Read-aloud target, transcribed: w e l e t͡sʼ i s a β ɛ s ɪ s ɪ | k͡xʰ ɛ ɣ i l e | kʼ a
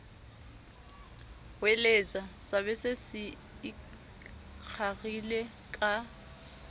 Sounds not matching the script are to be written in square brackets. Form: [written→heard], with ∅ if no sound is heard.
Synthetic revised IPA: w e l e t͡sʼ [i→a] s a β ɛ s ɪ s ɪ | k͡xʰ [ɛ→a] ɣ i l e | kʼ a